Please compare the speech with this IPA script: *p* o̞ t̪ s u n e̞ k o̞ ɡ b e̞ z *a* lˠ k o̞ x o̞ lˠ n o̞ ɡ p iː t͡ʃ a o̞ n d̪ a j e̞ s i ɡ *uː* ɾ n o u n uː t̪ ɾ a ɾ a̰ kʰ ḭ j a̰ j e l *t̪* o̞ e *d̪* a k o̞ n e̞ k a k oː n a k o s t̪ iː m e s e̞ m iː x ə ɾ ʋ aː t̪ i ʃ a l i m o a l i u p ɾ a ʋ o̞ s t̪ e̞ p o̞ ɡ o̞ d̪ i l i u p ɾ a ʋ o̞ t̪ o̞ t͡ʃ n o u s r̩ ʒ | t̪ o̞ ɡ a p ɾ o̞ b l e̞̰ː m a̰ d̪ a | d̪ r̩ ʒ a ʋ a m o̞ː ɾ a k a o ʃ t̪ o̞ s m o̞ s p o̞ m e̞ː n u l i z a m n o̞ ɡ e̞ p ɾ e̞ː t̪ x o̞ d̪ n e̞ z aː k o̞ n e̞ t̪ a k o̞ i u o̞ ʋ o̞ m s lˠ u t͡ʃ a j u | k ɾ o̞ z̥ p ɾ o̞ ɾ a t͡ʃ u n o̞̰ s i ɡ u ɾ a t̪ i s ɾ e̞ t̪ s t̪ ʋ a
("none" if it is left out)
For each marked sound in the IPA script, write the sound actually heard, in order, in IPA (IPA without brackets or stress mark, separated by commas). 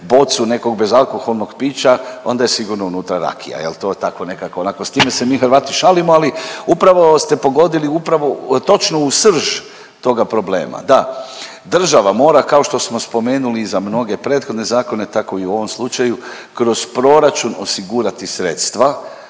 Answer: b, a, u, t̪, t̪